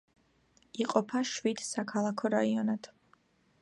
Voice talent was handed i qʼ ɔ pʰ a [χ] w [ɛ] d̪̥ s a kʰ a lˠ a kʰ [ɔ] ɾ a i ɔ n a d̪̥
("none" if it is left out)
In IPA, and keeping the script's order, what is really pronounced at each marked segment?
ʃ, i, ɔ

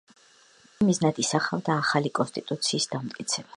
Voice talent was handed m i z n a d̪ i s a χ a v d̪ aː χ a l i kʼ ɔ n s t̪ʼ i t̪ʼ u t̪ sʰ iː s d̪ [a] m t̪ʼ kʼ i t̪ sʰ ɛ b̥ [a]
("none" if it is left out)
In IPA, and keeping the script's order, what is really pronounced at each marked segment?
a, a

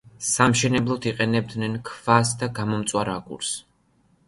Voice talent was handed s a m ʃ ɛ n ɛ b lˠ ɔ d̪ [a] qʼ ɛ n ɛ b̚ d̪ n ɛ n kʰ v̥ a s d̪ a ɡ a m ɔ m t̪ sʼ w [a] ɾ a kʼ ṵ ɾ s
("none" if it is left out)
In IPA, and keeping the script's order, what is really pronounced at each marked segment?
i, a

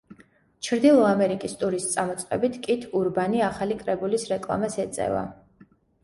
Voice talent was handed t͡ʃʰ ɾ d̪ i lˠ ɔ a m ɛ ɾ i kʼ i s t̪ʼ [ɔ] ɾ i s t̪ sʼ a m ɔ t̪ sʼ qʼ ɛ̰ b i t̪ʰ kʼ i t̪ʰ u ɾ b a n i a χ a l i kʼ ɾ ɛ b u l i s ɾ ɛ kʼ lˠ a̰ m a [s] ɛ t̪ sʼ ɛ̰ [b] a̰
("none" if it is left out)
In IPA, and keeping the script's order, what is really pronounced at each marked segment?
u, s, v

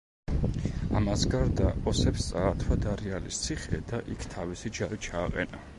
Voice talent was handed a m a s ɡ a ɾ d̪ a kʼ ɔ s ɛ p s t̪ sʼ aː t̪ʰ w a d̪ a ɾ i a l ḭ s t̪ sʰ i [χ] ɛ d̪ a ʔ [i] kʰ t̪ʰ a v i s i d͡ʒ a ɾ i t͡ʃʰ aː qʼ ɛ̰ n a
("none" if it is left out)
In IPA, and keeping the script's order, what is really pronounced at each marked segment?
χ, i

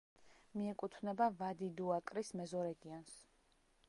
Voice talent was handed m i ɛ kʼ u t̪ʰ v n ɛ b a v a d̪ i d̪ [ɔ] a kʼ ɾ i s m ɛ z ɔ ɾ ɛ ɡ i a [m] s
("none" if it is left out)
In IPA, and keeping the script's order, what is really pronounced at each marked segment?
u, n

